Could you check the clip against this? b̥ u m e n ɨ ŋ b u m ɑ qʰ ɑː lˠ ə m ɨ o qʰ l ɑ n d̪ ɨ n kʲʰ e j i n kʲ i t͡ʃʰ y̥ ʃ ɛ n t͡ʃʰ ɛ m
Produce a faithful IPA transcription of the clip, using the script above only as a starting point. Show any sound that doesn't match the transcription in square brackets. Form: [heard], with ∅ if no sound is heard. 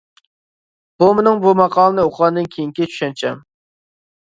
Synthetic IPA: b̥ u m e n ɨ ŋ b u m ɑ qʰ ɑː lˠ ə [n] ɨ o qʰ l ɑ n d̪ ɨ n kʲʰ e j i [ŋ] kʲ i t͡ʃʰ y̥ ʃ ɛ n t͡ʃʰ ɛ m